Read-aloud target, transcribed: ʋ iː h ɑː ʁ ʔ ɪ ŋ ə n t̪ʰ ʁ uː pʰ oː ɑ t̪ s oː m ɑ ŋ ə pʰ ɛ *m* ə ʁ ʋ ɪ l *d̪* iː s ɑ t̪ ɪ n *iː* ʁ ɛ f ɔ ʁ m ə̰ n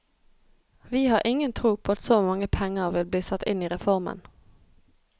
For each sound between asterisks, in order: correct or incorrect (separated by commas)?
incorrect, incorrect, correct